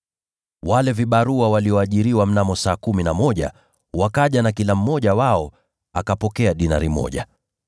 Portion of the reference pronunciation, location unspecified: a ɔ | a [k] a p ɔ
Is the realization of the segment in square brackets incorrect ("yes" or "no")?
no